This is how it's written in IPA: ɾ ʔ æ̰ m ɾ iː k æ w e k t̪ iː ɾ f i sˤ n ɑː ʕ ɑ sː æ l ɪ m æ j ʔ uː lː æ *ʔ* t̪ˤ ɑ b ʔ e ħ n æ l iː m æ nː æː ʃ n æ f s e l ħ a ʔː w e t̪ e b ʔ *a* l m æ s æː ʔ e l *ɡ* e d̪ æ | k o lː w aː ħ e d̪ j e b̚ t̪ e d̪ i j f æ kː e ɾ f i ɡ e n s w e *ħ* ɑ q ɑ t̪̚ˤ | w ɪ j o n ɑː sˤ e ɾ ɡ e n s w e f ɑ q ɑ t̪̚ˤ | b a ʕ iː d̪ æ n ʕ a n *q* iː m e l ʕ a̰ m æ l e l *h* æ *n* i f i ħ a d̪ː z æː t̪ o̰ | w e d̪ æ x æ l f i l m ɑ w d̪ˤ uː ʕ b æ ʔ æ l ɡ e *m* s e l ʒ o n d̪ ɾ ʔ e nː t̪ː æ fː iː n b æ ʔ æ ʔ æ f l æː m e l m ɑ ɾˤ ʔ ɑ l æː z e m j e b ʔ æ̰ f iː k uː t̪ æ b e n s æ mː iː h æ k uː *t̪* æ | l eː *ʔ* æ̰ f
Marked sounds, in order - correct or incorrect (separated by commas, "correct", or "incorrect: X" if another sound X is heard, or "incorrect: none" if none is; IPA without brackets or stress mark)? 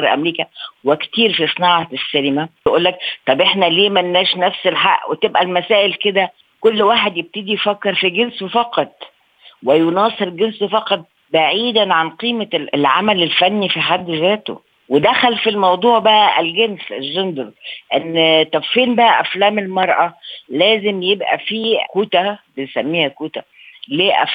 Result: incorrect: k, incorrect: æ, incorrect: k, incorrect: f, correct, incorrect: f, incorrect: nː, incorrect: n, correct, correct